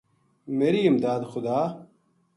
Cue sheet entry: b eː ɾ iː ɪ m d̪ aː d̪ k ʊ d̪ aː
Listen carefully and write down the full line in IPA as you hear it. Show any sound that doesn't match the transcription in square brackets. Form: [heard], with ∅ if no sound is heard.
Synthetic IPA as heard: [m] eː ɾ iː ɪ m d̪ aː d̪ [x] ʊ d̪ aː